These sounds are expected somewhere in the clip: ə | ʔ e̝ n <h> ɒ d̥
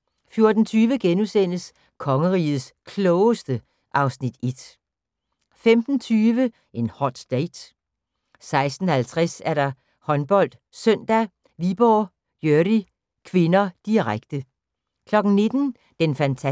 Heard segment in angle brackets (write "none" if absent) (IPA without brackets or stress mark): h